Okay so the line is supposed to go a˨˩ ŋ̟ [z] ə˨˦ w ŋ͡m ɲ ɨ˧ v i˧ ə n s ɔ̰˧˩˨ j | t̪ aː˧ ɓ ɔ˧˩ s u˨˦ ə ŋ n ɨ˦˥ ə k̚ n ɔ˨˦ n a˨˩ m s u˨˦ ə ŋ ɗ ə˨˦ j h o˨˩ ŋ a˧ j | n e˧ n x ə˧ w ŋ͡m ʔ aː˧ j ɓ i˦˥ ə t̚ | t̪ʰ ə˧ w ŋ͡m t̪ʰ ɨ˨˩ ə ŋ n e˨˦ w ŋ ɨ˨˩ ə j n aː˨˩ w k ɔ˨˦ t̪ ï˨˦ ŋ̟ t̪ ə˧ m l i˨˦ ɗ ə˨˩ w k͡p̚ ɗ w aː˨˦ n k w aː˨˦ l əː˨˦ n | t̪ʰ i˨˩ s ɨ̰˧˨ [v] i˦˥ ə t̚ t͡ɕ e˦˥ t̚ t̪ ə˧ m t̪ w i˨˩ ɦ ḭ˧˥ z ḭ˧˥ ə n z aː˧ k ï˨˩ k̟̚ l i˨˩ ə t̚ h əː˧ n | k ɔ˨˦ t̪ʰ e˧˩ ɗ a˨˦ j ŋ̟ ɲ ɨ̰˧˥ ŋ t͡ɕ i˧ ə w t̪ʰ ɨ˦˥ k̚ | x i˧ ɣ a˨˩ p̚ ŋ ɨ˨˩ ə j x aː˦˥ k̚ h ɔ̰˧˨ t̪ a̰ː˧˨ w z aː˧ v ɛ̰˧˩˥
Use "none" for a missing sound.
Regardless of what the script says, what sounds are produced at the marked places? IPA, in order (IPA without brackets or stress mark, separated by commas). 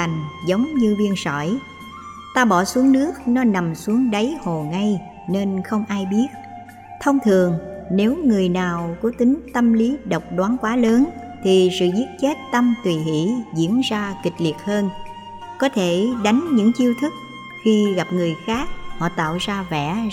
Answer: z, z